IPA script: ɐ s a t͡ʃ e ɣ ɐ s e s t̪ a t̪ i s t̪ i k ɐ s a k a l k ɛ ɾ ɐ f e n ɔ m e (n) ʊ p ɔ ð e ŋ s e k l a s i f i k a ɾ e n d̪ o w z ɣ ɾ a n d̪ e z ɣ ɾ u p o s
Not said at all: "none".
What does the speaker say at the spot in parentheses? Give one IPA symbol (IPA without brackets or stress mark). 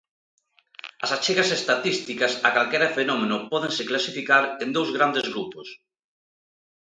n